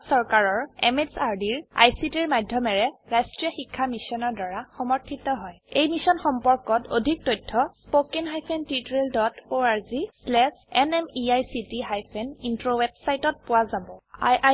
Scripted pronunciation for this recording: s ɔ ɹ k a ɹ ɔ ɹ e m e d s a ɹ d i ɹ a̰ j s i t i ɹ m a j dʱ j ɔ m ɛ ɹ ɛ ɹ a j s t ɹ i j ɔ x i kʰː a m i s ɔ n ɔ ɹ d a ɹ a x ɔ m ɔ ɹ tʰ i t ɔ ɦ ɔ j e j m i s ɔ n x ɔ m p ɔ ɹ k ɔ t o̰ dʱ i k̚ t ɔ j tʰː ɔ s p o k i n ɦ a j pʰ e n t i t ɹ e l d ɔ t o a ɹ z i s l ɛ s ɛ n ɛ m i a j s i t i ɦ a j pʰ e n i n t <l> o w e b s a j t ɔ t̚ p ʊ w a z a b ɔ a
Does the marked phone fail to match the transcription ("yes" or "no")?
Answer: yes